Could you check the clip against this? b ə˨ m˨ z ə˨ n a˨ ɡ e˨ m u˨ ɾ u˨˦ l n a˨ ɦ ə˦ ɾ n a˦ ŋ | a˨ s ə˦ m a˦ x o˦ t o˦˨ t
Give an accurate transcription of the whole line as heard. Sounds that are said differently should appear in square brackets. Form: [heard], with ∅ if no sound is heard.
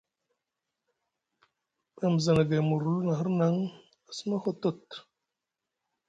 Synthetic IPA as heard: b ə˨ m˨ z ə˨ n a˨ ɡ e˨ m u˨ ɾ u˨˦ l n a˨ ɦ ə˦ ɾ n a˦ ŋ | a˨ s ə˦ m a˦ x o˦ t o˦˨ t